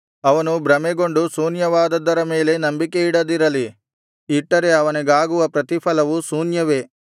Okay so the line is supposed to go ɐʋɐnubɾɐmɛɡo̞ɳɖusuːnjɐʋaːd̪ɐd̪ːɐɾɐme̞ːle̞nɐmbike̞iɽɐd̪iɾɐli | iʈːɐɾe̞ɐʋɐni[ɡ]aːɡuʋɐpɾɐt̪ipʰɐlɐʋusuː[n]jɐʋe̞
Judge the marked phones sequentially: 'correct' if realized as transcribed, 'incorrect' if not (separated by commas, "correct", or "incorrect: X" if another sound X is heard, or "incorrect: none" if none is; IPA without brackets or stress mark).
correct, correct